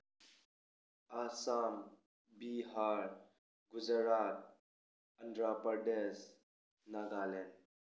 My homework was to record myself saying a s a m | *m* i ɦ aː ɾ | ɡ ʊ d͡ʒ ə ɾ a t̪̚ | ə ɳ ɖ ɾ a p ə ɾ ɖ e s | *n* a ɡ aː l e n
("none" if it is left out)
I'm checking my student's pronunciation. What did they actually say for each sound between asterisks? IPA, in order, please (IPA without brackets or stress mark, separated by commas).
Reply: b, n